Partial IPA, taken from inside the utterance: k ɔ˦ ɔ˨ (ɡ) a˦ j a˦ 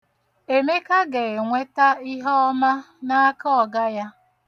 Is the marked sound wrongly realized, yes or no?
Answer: no